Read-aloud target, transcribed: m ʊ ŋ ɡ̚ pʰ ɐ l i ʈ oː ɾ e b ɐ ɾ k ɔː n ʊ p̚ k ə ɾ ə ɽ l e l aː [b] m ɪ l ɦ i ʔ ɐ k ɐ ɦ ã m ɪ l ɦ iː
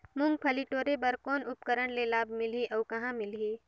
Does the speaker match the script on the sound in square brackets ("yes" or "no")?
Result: yes